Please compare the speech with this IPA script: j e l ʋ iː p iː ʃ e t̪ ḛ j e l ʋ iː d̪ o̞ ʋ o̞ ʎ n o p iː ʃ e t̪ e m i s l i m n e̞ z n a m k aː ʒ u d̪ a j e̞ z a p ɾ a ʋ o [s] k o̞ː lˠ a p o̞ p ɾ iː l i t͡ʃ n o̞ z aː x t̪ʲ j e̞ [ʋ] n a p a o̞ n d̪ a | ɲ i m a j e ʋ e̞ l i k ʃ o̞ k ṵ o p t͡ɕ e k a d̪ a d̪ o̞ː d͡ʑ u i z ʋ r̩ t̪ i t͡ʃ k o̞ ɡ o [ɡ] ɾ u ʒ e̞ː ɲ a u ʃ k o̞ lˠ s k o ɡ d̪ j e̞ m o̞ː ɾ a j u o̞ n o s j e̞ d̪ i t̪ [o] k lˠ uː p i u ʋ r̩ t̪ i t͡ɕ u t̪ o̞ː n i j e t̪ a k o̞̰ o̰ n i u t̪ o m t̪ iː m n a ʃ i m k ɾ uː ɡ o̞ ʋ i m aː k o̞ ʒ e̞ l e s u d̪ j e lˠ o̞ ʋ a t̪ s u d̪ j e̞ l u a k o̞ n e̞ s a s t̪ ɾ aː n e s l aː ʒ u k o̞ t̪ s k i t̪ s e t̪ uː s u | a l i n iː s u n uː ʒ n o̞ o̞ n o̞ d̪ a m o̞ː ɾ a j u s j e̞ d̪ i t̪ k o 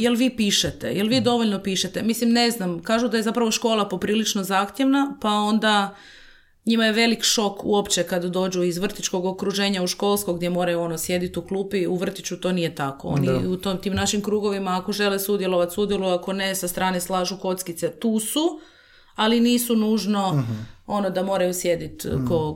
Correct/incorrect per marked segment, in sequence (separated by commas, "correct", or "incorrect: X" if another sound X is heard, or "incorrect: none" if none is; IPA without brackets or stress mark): incorrect: ʃ, correct, incorrect: k, incorrect: u